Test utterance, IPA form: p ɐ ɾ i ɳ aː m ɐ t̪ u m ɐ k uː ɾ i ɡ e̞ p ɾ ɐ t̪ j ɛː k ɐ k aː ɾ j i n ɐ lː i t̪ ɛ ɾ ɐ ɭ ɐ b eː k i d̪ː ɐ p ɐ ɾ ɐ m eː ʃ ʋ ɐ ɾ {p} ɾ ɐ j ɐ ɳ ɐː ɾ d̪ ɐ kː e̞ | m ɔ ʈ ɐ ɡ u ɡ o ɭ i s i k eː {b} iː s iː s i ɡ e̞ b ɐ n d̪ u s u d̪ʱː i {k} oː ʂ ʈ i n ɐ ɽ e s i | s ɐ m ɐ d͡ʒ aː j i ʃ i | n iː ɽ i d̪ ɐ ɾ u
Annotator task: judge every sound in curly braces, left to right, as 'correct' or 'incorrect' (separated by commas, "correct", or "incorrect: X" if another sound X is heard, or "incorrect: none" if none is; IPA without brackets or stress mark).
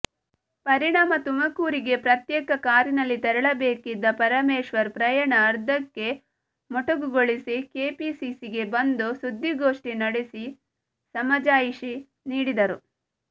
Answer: correct, incorrect: p, incorrect: ɡ